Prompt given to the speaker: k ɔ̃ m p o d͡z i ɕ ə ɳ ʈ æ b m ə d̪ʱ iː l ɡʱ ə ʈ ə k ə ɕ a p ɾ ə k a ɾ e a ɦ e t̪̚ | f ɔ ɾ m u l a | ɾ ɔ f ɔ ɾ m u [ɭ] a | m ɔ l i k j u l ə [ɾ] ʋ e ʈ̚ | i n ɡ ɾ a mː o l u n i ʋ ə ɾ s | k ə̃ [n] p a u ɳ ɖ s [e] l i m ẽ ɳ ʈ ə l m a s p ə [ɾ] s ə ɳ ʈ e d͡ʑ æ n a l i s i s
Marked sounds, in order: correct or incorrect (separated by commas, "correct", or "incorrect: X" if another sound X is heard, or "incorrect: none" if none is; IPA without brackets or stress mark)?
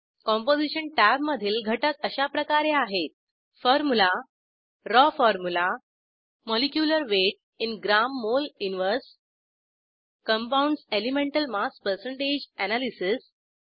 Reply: incorrect: l, correct, incorrect: m, correct, correct